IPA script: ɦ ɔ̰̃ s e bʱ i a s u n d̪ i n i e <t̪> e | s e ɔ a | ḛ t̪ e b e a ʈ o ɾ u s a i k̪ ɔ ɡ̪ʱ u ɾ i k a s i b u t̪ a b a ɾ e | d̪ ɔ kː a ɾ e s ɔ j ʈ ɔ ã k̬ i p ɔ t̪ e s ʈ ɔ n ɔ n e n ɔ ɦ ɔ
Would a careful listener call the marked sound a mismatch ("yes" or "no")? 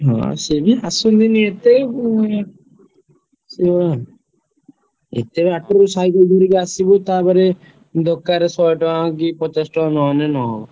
no